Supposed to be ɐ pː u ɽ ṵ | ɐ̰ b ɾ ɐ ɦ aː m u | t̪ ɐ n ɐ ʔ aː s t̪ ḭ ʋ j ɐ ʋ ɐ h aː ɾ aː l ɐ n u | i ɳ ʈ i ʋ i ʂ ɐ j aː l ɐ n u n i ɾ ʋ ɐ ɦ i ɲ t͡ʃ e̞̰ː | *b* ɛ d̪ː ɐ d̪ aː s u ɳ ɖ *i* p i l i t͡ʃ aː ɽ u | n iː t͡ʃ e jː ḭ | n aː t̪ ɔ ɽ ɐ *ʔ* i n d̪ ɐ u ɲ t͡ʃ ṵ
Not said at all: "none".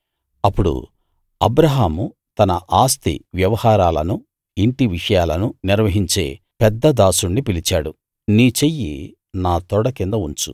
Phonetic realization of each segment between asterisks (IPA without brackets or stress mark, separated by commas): p, i, k